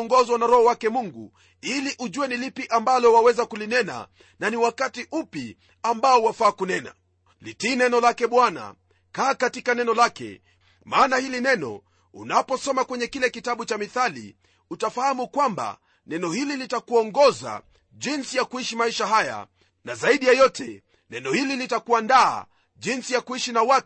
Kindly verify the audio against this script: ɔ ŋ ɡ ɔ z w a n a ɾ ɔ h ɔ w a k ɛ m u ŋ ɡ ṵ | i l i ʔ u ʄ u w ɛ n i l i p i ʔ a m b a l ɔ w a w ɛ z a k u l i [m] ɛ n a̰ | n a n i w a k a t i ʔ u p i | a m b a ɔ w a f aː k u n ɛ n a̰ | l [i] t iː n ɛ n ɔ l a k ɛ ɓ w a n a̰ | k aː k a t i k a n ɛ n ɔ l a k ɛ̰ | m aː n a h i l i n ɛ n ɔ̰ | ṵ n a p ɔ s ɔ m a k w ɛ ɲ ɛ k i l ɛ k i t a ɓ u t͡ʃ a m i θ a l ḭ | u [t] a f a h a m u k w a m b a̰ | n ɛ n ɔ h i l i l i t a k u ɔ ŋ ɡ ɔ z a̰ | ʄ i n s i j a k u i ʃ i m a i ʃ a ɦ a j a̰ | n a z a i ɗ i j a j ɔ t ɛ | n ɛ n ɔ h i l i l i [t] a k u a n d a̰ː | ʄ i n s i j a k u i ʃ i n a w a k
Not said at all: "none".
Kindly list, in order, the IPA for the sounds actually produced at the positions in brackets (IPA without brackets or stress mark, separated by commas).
n, i, t, t